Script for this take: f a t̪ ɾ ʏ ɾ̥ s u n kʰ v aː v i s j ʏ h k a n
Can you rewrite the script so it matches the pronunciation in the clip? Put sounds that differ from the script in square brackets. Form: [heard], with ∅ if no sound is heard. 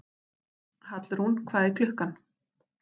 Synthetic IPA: [h] a t̪ [l] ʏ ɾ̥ [h] u n kʰ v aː [ð] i [f] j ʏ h k a n